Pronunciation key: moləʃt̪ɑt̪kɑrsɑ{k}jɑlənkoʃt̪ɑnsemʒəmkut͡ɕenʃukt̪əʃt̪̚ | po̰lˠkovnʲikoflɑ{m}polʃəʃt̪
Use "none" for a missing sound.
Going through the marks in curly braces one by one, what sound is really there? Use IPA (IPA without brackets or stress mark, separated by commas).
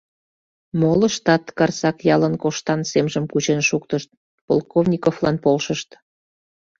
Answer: k, n